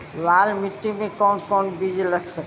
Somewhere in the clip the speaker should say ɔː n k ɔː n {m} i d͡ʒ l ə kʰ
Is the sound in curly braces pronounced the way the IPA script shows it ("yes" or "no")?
no